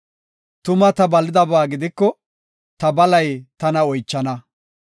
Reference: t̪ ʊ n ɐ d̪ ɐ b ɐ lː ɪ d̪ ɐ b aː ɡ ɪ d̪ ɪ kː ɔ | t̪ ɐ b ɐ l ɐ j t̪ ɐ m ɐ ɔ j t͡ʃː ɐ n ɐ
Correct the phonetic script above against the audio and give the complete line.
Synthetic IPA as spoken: t̪ ʊ m ɐ t̪ ɐ b ɐ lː ɪ d̪ ɐ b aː ɡ ɪ d̪ ɪ kː ɔ | t̪ ɐ b ɐ l ɐ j t̪ ɐ n ɐ ɔ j t͡ʃː ɐ n ɐ